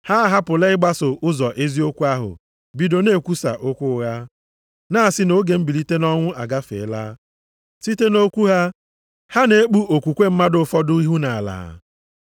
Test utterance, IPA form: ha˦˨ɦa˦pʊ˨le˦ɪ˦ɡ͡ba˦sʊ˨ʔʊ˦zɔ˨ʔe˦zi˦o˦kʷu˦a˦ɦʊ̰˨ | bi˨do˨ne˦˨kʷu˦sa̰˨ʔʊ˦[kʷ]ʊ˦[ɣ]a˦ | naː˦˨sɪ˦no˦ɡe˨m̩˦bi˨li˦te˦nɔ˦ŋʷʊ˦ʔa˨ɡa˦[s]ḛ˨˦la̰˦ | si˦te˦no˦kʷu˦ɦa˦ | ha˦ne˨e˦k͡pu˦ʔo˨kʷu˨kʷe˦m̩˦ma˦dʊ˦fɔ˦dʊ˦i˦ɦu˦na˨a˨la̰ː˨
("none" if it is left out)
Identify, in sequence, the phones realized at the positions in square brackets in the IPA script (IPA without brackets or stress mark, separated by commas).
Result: kʷ, ɣ, f